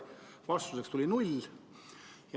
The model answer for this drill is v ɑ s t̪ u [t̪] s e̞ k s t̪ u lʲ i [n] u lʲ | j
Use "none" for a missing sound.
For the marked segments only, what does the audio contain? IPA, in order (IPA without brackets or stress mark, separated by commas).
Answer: none, n